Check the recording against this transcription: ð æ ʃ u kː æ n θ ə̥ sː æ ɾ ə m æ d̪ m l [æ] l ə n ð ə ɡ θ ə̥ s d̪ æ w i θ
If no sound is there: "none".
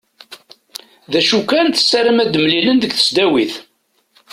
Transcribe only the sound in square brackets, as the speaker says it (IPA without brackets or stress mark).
i